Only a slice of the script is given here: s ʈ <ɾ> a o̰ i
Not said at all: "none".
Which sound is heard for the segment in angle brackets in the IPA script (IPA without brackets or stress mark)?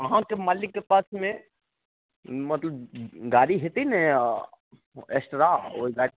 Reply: ɾ